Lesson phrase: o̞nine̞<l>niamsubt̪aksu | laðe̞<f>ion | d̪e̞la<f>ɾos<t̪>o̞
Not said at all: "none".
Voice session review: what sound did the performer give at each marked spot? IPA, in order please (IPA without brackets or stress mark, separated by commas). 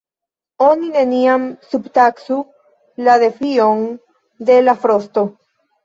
none, f, f, t̪